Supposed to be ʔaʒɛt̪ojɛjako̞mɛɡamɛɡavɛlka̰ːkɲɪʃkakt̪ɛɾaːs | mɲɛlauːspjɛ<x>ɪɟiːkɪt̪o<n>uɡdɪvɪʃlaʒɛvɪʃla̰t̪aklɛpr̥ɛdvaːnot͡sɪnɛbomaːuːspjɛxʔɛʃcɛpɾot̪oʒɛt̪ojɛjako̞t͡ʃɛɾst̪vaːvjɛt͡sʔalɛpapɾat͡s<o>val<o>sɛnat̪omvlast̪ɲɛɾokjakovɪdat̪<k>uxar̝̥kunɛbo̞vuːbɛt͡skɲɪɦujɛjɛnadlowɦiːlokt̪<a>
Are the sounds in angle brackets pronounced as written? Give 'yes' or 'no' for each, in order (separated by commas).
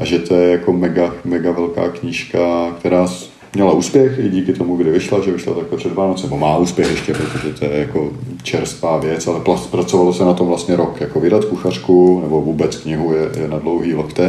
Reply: yes, no, yes, yes, yes, no